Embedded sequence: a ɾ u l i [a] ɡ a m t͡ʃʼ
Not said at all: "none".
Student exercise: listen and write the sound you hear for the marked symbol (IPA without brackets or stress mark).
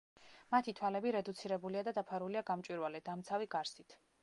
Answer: a